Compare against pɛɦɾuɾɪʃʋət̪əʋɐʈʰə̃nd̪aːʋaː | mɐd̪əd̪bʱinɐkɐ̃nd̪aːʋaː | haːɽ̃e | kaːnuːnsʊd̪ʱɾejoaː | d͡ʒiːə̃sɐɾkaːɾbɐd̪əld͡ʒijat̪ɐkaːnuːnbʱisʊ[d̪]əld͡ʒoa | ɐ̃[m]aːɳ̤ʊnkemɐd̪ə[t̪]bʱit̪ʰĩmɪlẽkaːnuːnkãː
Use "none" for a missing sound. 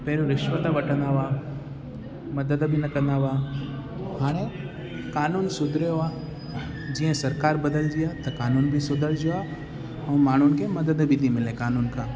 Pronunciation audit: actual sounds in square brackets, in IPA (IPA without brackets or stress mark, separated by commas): d̪, m, d̪